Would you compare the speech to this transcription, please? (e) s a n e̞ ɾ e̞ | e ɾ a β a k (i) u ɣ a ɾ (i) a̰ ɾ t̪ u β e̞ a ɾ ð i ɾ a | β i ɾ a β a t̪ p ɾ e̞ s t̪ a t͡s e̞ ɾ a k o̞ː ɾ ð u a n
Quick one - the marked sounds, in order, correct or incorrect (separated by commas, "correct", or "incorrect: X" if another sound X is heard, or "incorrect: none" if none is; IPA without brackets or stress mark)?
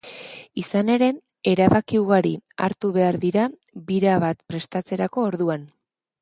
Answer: incorrect: i, correct, correct